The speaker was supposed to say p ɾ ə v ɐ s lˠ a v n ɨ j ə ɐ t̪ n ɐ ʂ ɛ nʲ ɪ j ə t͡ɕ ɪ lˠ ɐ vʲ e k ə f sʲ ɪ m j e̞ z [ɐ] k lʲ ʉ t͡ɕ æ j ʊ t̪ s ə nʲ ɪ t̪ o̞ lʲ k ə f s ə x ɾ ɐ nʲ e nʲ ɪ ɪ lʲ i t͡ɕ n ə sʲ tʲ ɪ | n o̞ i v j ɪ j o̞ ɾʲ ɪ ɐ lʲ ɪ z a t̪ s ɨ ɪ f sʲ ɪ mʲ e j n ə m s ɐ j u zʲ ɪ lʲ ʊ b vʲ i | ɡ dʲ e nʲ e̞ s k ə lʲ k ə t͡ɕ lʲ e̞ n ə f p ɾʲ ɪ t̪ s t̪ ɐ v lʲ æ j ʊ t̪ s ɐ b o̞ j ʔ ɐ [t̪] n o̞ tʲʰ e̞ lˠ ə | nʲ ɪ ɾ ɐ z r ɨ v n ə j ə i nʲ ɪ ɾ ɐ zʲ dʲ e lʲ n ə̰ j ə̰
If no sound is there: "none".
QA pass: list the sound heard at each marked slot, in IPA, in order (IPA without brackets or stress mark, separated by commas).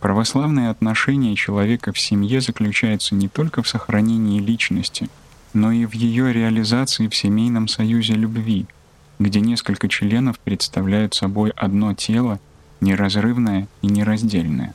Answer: ə, d̪